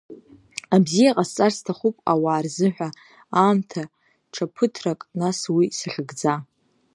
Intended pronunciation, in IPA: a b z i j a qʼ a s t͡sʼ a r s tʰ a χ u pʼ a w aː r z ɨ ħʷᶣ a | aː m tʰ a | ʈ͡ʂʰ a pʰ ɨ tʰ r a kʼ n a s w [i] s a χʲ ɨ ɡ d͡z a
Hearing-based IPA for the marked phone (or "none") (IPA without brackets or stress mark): i